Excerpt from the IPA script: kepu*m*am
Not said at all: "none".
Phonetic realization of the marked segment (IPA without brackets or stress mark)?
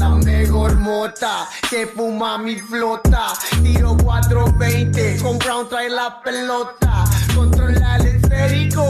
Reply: m